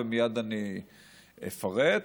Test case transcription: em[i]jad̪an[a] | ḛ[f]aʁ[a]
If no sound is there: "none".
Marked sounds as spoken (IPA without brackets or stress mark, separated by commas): i, i, f, e